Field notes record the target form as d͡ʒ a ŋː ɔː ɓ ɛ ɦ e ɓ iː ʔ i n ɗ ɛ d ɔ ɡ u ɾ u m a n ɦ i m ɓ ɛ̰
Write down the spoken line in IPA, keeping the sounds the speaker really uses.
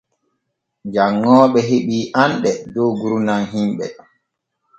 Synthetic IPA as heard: d͡ʒ a ŋː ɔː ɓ ɛ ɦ e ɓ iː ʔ a n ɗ ɛ d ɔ ɡ u ɾ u n a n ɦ i m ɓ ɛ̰